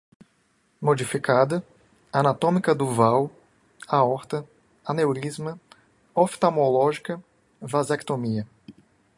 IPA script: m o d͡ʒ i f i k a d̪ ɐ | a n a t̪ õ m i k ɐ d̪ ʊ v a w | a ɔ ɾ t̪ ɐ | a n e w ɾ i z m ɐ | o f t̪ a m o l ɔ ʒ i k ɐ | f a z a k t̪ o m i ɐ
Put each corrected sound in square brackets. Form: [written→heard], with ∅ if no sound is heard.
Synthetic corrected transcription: m o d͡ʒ i f i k a d̪ ɐ | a n a t̪ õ m i k ɐ d̪ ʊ v a w | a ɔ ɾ t̪ ɐ | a n e w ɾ i z m ɐ | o f t̪ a m o l ɔ ʒ i k ɐ | [f→v] a z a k t̪ o m i ɐ